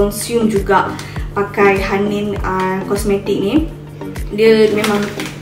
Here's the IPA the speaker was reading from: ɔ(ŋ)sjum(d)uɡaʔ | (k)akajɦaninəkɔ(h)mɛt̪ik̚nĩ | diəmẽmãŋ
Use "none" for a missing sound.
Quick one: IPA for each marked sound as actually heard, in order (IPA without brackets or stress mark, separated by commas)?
n, d͡ʒ, p, s